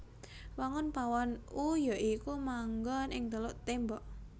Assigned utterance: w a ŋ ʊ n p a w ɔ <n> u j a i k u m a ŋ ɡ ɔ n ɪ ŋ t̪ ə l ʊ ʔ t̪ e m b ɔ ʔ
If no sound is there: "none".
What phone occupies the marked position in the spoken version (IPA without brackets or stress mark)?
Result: n